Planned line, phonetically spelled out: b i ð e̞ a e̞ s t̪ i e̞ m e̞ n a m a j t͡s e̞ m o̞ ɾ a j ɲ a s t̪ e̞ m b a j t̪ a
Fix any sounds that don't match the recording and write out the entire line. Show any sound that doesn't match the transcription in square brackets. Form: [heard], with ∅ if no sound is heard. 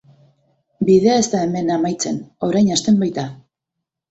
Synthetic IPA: b i ð e̞ a e̞ s t̪ [a] e̞ m e̞ n a m a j t͡s e̞ [n] o̞ ɾ a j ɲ a s t̪ e̞ m b a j t̪ a